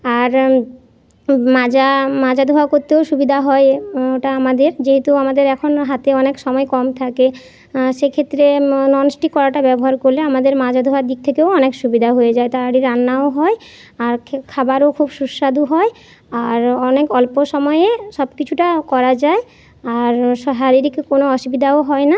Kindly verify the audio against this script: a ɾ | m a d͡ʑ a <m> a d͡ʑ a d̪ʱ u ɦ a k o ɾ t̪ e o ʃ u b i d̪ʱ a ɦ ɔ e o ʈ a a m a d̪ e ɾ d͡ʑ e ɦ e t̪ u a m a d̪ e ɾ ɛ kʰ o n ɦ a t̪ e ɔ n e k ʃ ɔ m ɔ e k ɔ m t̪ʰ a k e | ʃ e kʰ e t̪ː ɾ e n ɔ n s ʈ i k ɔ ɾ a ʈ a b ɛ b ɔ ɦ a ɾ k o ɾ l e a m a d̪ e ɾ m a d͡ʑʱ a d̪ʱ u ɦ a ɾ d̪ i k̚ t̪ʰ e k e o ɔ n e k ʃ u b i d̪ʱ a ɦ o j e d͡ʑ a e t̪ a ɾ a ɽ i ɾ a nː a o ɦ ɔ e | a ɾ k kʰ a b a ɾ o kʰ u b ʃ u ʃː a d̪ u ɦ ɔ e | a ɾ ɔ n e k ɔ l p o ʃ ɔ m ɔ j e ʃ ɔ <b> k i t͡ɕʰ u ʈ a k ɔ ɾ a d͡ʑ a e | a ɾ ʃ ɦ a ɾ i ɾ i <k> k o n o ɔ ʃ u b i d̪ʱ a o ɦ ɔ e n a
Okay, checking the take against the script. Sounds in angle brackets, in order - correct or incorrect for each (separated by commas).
correct, correct, correct